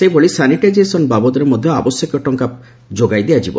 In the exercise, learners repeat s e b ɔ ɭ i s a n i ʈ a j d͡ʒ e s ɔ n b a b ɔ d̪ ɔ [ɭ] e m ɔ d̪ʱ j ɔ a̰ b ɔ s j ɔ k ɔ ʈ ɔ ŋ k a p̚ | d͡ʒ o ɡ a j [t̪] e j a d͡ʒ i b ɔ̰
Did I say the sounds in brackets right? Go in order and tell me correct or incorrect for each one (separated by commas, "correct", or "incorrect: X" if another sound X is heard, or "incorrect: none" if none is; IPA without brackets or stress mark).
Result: incorrect: ɾ, incorrect: d̪